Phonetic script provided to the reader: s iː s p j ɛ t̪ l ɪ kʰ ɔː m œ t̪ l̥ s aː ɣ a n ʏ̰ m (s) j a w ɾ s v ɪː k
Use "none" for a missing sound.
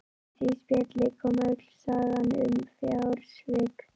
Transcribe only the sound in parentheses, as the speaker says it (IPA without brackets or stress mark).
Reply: f